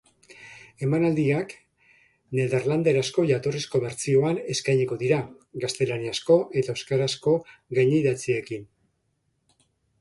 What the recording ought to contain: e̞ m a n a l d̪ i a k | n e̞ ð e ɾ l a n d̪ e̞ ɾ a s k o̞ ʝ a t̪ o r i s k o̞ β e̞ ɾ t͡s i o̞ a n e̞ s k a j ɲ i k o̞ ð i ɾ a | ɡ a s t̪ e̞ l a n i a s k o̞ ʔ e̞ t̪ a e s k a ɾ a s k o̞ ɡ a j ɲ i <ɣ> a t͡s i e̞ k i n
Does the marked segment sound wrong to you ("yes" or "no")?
yes